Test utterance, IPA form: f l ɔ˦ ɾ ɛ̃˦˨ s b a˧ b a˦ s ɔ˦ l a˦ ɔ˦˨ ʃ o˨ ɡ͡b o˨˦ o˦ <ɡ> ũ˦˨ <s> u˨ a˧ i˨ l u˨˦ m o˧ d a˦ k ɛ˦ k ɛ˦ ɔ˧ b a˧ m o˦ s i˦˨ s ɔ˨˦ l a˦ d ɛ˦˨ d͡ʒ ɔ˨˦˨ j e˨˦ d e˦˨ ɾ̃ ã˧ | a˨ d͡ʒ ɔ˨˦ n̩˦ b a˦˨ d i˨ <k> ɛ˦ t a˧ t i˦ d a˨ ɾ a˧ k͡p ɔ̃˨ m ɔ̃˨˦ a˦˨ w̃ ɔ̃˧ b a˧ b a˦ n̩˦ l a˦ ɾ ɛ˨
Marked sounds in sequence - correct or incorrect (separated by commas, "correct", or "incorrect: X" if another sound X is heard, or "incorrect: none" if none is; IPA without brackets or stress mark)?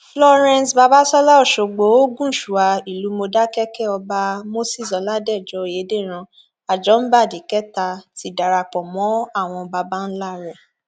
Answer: correct, incorrect: ʃ, correct